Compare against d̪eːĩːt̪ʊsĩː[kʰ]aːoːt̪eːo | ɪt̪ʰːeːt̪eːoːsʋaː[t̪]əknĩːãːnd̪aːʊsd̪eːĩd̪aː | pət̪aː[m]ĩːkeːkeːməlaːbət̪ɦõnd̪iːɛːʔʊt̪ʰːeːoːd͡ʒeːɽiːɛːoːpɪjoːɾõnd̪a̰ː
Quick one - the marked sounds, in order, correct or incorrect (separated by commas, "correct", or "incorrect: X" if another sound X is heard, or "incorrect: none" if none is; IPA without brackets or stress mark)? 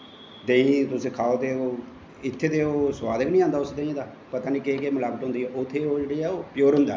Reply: correct, incorrect: d̪, incorrect: n